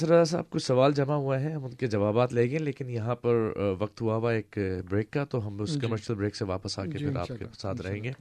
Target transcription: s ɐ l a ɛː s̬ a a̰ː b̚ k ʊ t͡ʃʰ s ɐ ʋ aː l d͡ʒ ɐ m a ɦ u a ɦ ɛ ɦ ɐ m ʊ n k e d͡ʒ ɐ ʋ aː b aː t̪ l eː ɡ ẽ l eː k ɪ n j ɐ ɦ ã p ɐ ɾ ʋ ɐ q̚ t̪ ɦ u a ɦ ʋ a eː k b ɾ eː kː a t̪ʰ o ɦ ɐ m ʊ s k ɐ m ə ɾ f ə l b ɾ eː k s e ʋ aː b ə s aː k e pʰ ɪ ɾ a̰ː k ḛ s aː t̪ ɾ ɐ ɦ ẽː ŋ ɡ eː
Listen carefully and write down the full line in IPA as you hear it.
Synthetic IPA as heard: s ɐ ɾ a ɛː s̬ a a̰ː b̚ k ʊ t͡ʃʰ s ɐ ʋ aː l d͡ʒ ɐ m a ɦ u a ɦ ɛ ɦ ɐ m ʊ n k e d͡ʒ ɐ ʋ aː b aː t̪ l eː ɡ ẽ l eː k ɪ n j ɐ ɦ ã p ɐ ɾ ʋ ɐ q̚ t̪ ɦ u a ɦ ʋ a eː k b ɾ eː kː a t̪ o ɦ ɐ m ʊ s k ɐ m ə ɾ ʃ ə l b ɾ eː k s e ʋ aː p ə s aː k e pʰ ɪ ɾ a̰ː k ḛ s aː t̪ ɾ ɐ ɦ ẽː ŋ ɡ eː